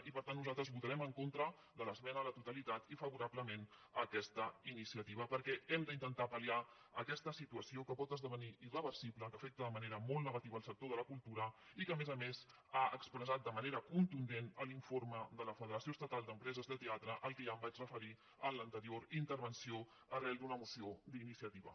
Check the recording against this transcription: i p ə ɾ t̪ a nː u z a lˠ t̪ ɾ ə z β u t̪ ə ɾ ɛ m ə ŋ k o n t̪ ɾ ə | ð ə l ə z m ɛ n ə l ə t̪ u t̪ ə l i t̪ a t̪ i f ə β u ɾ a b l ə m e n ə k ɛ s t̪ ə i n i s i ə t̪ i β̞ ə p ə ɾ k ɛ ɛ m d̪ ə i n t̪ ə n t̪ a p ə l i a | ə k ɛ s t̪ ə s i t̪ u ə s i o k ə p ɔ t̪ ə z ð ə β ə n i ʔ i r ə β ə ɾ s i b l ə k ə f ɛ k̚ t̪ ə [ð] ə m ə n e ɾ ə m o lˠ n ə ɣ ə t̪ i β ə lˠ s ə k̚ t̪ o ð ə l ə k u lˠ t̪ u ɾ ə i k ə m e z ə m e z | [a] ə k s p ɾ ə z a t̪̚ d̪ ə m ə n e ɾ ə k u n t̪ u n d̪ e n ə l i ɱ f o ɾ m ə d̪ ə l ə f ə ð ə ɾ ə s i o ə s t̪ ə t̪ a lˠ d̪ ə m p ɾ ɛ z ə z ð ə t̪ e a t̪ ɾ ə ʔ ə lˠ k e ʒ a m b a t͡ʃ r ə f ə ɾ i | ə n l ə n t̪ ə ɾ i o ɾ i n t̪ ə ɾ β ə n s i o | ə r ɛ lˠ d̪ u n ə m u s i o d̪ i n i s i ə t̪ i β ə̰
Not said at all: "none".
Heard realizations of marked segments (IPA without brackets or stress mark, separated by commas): ð, a